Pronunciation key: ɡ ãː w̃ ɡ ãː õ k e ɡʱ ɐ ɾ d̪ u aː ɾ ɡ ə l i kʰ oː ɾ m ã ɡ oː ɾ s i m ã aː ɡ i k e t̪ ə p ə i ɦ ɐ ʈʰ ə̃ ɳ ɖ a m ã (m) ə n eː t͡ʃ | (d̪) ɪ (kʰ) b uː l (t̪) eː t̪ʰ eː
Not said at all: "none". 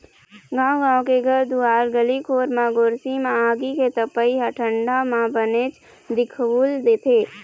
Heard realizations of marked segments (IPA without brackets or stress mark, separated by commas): b, d̪, kʰ, d̪